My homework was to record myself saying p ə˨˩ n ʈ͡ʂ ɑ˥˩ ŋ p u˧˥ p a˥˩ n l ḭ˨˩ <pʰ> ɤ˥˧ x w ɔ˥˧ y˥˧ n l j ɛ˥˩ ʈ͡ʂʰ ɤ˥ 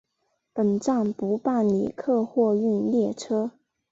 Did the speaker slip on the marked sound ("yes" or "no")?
yes